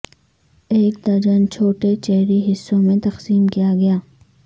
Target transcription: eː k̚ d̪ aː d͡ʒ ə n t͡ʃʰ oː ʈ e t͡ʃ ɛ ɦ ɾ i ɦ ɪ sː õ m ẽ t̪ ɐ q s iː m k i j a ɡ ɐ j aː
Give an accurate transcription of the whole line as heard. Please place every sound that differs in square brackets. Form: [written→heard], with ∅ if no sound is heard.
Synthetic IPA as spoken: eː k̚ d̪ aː d͡ʒ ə n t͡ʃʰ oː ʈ e t͡ʃ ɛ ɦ ɾ i ɦ ɪ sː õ m ẽ t̪ ɐ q s iː m k i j a ɡ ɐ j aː